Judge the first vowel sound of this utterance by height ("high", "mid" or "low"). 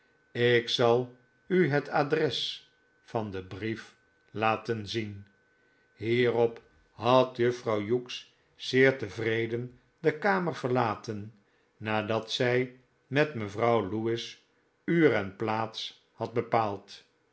high